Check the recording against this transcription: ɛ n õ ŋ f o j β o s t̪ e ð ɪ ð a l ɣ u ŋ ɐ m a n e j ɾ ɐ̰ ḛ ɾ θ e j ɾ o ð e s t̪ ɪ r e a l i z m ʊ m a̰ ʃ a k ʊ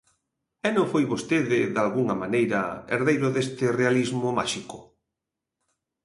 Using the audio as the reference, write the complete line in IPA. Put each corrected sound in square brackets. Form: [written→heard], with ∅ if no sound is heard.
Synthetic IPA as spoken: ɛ n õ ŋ f o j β o s t̪ e ð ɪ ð a l ɣ u ŋ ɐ m a n e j ɾ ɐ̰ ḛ ɾ [θ→ð] e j ɾ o ð e s t̪ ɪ r e a l i z m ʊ m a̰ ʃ [a→i] k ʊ

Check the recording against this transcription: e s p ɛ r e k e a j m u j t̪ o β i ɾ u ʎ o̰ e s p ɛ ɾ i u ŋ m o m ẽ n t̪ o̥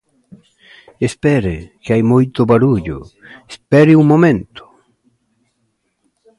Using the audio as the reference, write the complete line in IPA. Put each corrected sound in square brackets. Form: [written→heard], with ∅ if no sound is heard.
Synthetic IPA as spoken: e s p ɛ [r→ɾ] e k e a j m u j t̪ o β [i→a] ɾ u ʎ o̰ e s p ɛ ɾ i u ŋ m o m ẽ n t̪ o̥

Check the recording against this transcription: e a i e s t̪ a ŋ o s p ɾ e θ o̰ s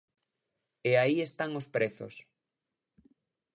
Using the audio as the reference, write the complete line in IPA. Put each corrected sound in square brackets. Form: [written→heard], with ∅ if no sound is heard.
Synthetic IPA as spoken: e a i e s t̪ a ŋ o s p ɾ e θ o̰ s

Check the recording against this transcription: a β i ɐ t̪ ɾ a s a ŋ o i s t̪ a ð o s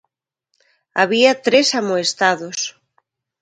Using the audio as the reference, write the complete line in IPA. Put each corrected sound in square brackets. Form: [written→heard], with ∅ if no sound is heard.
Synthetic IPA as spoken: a β i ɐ t̪ ɾ [a→e] s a [ŋ→m] o [i→e] s t̪ a ð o s

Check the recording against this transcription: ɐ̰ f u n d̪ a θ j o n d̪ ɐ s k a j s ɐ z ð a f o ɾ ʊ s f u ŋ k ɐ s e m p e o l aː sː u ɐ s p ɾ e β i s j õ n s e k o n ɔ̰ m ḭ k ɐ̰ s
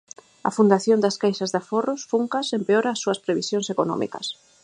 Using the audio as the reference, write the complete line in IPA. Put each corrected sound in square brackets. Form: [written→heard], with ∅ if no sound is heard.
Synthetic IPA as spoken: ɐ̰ f u n d̪ a θ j o n d̪ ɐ s k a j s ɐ z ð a f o [ɾ→r] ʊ s f u ŋ k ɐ s e m p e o [l→ɾ] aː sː u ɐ s p ɾ e β i s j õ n s e k o n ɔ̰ m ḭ k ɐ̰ s

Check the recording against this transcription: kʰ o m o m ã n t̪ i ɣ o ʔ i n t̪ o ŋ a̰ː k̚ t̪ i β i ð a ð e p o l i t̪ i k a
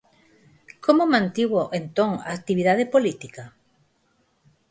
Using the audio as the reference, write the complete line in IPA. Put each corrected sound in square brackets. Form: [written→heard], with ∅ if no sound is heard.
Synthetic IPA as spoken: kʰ o m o m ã n t̪ i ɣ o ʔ [i→e] n t̪ o ŋ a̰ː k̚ t̪ i β i ð a ð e p o l i t̪ i k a

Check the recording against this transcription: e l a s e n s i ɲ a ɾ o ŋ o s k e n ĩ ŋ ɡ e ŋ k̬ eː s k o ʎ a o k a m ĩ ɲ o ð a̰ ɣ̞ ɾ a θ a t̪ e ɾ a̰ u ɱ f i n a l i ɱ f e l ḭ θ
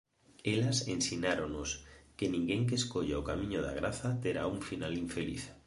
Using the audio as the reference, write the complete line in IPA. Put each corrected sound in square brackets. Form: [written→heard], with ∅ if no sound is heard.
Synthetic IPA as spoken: e l a s e n s i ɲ a ɾ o [ŋ→n] o s k e n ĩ ŋ ɡ e ŋ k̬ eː s k o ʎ a o k a m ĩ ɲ o ð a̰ ɣ̞ ɾ a θ a t̪ e ɾ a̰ u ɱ f i n a l i ɱ f e l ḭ θ

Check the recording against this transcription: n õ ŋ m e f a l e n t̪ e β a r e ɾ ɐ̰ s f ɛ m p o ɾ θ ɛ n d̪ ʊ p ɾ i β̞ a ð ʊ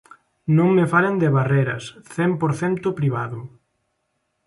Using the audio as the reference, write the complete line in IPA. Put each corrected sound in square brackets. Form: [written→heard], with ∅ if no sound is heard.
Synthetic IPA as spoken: n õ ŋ m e f a l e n [t̪→d̪] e β a r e ɾ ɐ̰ s [f→θ] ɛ m p o ɾ θ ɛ n [d̪→t̪] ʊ p ɾ i β̞ a ð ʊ

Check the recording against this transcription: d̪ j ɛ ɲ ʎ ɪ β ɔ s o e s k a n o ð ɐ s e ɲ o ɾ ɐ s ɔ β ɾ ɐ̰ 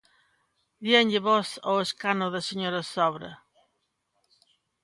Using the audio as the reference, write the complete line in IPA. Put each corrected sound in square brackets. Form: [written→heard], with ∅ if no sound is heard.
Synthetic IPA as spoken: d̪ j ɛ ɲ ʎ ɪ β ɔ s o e s k a n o ð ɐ s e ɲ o ɾ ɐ s ɔ β ɾ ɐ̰

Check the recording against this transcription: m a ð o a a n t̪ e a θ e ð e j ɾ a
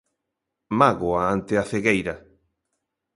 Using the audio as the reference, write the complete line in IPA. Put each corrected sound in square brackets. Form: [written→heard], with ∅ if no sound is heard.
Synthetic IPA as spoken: m a [ð→ɣ] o a a n t̪ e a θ e [ð→ɣ] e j ɾ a

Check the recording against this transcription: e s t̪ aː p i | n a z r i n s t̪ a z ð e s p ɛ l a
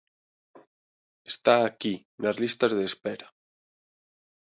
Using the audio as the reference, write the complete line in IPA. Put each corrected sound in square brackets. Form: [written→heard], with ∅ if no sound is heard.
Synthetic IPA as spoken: e s t̪ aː [p→k] i | n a z [r→l] i [n→∅] s t̪ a z ð e s p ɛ [l→ɾ] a

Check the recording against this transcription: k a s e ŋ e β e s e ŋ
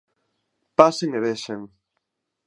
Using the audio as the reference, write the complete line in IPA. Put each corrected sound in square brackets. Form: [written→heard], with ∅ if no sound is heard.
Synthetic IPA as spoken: [k→p] a s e ŋ e β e [s→ʃ] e ŋ

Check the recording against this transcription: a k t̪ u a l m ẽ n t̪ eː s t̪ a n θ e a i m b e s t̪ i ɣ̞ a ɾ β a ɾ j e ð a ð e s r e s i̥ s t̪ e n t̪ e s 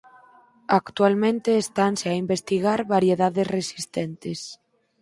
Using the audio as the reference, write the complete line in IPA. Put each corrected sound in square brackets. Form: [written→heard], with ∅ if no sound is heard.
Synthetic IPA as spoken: a k t̪ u a l m ẽ n t̪ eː s t̪ a n [θ→s] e a i m b e s t̪ i ɣ̞ a ɾ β a ɾ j e ð a ð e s r e s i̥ s t̪ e n t̪ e s

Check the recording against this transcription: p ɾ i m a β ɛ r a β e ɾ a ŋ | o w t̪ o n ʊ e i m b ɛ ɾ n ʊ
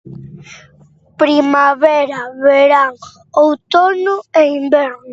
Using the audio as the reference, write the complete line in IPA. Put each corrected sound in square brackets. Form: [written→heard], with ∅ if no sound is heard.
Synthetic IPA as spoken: p ɾ i m a β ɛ [r→ɾ] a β e ɾ a ŋ | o w t̪ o n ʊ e i m b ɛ ɾ n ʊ

